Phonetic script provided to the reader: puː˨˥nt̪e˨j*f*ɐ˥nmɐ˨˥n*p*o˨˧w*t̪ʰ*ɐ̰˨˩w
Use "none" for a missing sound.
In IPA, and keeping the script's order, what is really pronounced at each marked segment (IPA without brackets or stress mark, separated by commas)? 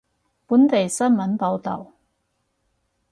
s, p, t̪